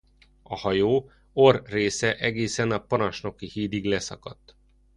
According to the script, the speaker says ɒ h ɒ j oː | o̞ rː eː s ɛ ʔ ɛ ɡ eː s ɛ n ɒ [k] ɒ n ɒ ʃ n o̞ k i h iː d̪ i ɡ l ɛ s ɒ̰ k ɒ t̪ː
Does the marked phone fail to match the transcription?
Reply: yes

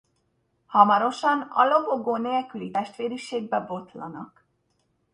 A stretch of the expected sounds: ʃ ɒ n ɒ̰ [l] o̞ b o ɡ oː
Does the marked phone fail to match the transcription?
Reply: no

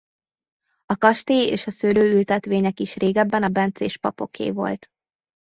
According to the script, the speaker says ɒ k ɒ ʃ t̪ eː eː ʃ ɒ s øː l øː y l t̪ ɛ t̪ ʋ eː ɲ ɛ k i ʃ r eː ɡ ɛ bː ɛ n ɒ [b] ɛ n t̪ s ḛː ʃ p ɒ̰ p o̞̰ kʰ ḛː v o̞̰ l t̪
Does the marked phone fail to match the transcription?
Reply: no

